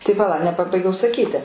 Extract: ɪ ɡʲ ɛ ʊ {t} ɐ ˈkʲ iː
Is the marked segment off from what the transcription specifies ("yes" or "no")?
yes